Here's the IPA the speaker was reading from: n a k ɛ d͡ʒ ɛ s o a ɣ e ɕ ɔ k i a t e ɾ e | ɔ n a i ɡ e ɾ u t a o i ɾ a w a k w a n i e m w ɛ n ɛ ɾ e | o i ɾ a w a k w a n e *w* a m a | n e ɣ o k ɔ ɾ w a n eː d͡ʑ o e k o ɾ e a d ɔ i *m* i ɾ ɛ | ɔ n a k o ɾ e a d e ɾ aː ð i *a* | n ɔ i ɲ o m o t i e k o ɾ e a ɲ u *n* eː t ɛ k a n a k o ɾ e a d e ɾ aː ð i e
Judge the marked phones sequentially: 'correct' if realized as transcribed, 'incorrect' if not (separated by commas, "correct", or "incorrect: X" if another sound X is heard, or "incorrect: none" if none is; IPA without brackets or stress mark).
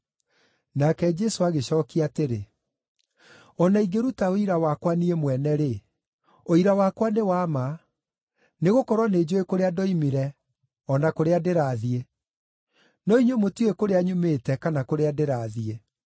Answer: correct, correct, incorrect: e, incorrect: m